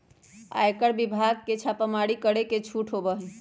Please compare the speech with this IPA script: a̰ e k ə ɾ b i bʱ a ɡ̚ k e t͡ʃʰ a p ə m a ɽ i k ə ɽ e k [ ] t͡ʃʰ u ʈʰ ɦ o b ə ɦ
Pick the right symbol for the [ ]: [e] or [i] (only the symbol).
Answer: e